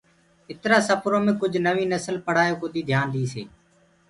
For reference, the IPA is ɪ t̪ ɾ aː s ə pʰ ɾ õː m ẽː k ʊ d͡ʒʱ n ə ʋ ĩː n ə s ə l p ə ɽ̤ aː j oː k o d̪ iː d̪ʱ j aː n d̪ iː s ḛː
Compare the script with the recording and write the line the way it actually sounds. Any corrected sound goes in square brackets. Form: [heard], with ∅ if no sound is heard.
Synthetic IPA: ɪ t̪ ɾ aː s ə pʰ ɾ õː m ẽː k ʊ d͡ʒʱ n ə ʋ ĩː n ə s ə l p ə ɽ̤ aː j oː k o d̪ iː d̪ʱ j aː n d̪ iː s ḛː